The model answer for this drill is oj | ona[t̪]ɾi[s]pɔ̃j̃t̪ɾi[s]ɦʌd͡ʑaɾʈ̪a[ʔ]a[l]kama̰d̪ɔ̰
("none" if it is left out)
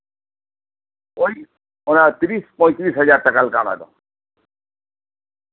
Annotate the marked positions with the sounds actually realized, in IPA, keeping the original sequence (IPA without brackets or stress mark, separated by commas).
t̪, s, s, k, l